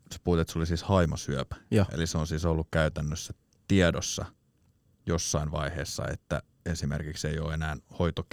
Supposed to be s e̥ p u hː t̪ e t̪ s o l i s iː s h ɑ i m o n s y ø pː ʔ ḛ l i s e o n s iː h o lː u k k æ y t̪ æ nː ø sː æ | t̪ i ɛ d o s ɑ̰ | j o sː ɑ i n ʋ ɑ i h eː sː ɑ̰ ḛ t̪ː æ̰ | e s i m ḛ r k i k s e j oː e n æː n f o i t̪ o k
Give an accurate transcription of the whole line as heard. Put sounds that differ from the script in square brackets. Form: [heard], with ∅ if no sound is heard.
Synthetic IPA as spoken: s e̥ p u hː t̪ e t̪ s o l i s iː s h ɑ i m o [∅] s y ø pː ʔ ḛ l i s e o n s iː [s] o lː u k k æ y t̪ æ nː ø sː æ | t̪ i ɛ d o [sː] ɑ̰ | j o sː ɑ i n ʋ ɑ i h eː sː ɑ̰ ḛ t̪ː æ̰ | e s i m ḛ r k i k s e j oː e n æː n [h] o i t̪ o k